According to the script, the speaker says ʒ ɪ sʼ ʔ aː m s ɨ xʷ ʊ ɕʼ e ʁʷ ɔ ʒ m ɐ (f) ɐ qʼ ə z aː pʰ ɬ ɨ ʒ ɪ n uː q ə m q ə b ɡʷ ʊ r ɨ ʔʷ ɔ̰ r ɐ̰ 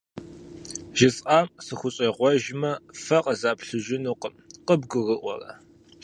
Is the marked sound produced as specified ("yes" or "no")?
yes